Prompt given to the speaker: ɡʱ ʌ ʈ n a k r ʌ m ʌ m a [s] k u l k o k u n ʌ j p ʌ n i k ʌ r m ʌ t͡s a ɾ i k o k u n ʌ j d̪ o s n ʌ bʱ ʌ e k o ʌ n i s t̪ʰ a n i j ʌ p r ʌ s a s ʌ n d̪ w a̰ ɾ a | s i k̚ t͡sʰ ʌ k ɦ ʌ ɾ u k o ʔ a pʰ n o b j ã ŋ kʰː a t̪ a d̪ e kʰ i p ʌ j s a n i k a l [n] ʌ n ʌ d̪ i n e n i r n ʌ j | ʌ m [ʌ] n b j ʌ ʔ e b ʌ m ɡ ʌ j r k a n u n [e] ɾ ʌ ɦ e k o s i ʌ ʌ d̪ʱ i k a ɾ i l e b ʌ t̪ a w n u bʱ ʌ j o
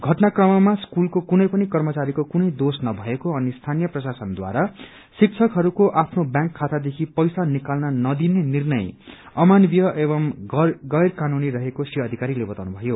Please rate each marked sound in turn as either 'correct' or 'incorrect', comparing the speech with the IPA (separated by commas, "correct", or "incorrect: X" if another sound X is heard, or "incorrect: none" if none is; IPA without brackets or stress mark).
correct, correct, incorrect: a, incorrect: i